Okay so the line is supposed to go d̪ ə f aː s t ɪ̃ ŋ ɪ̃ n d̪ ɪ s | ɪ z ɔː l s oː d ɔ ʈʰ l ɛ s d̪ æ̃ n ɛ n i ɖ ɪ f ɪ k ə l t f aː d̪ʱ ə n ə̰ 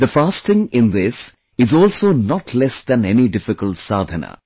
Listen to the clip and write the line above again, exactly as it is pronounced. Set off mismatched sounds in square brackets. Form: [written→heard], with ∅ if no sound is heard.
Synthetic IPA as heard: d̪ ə f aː s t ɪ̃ ŋ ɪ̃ n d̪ ɪ s | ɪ z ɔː l s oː [d→n] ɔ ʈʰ l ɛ s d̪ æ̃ n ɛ n i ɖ ɪ f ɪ k ə l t [f→s] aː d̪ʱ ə n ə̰